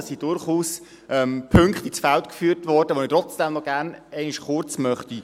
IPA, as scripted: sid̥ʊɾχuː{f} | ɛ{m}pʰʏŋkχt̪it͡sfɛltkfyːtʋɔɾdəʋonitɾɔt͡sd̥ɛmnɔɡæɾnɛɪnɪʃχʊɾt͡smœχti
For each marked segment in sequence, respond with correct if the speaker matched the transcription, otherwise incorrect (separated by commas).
incorrect, correct